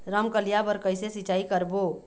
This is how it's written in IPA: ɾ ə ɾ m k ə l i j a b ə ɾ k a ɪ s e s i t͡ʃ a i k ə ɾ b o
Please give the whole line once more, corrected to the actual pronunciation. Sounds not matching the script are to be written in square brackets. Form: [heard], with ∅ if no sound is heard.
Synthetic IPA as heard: ɾ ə [∅] m k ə l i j a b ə ɾ k [ə] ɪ s e s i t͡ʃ a i k ə ɾ b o